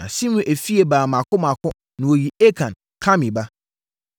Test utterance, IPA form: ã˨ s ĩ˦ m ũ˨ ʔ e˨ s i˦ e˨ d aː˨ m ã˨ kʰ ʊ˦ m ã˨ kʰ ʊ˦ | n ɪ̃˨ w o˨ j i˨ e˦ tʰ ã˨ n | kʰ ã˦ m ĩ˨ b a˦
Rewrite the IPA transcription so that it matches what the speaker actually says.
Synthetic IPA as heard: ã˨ s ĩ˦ m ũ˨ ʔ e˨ f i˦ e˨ b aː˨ m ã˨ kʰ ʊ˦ m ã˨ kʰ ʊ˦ | n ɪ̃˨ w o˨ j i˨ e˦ kʰ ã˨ n | kʰ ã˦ m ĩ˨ b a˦